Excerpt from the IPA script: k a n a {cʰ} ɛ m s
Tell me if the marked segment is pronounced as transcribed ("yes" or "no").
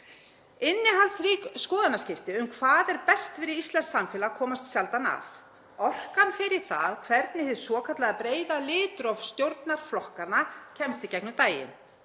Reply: yes